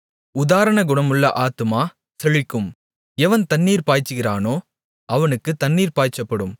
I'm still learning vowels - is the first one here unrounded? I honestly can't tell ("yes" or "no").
no